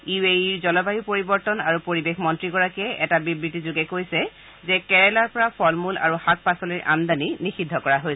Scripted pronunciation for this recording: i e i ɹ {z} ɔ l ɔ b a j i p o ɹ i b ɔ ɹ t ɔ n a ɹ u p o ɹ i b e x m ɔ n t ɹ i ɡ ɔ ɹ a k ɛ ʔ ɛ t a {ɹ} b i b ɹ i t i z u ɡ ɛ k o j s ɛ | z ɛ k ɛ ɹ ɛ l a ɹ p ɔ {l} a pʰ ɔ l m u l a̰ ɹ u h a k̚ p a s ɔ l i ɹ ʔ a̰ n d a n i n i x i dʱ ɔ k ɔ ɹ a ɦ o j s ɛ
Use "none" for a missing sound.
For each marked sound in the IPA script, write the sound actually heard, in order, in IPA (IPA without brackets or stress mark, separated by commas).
z, none, ɹ